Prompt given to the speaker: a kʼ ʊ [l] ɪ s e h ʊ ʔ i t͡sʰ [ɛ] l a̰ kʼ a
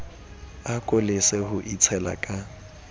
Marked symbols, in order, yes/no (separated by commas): yes, yes